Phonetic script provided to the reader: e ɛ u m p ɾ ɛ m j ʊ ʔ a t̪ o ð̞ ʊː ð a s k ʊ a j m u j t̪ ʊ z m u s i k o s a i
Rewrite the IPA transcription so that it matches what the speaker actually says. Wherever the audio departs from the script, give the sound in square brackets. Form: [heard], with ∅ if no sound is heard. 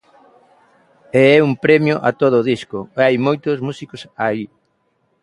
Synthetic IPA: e ɛ u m p ɾ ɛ m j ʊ ʔ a t̪ o ð̞ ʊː ð [i] s k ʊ a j m [o] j t̪ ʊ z m u s i k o s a i